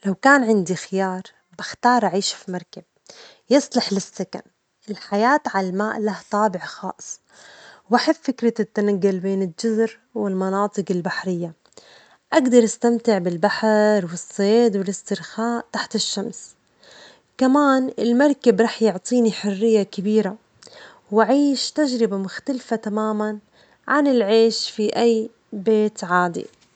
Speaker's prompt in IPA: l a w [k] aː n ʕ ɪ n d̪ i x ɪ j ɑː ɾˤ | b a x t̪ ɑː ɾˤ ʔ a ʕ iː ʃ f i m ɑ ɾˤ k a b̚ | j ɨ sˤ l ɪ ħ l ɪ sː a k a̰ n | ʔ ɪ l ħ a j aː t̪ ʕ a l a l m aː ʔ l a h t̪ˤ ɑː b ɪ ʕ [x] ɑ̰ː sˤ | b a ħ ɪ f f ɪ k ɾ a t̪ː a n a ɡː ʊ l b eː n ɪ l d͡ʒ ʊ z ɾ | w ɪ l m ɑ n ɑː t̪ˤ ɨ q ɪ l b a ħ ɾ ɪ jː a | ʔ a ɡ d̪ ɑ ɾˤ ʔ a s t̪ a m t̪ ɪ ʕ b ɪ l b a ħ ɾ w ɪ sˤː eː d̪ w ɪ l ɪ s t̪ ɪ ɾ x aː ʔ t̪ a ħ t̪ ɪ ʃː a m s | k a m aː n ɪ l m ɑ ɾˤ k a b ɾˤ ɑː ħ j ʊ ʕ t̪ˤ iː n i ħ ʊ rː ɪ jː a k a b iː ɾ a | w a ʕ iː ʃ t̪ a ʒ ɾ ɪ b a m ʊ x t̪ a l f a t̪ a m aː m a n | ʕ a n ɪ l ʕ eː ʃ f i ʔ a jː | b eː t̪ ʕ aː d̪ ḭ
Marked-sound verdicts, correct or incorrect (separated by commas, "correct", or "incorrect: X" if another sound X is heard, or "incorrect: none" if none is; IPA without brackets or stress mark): correct, correct